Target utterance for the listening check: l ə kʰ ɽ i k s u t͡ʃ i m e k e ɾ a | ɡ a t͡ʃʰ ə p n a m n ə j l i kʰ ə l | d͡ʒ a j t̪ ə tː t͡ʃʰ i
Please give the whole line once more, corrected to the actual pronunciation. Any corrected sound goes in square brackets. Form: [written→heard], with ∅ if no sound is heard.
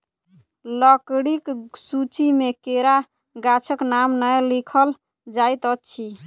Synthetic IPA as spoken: l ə [kʰ→k] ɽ i k s u t͡ʃ i m e k e ɾ a | ɡ a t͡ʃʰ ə [p→k] n a m n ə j l i kʰ ə l | d͡ʒ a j t̪ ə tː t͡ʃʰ i